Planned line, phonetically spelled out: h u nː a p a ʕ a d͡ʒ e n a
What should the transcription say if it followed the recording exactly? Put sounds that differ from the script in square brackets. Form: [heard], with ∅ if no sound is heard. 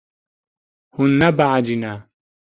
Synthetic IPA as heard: h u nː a [b] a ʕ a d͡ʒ [i] n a